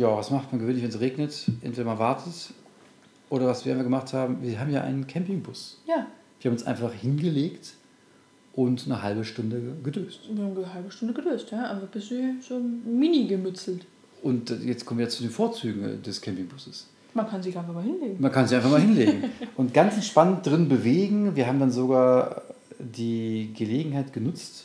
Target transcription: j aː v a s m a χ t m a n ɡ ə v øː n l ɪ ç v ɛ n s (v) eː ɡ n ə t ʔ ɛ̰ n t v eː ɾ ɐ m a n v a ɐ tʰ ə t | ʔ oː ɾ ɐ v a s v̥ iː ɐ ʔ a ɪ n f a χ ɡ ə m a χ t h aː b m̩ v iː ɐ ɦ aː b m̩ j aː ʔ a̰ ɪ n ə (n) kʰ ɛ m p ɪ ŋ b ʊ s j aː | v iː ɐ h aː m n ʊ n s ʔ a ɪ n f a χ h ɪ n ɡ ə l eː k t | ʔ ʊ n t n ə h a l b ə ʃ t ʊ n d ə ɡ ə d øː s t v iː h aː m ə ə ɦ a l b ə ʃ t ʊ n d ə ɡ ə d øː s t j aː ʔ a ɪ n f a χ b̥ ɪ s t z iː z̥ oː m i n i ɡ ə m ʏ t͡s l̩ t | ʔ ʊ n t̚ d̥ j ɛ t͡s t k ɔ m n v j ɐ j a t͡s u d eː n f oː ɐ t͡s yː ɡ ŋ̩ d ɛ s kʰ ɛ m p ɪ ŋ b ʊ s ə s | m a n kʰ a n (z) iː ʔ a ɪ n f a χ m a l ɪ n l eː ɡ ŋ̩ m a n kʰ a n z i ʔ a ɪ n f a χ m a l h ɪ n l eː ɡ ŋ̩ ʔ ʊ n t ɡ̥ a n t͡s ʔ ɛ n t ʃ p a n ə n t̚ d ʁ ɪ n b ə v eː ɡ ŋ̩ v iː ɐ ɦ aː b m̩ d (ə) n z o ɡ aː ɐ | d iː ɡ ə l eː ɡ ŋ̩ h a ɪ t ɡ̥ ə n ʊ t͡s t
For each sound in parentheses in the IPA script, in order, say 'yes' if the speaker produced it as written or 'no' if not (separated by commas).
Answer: no, yes, yes, no